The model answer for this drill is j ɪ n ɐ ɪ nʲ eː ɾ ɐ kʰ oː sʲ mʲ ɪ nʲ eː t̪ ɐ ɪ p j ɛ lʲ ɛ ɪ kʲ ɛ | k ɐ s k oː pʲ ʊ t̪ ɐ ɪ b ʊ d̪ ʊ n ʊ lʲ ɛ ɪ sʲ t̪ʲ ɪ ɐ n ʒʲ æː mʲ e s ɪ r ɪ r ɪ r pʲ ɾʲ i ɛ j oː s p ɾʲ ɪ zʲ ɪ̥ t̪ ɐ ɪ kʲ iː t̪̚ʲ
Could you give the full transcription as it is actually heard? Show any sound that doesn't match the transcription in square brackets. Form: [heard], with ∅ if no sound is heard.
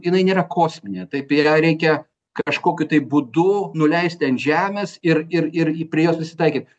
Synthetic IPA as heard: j ɪ n ɐ ɪ nʲ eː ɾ ɐ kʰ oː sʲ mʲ ɪ nʲ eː t̪ ɐ ɪ p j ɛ [ɾʲ] ɛ ɪ kʲ ɛ | k ɐ [ʃ] k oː [kʲ] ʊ t̪ ɐ ɪ b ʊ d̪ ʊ n ʊ lʲ ɛ ɪ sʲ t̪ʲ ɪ ɐ n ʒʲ æː mʲ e s ɪ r ɪ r ɪ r pʲ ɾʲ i ɛ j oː s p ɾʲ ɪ [sʲ] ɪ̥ t̪ ɐ ɪ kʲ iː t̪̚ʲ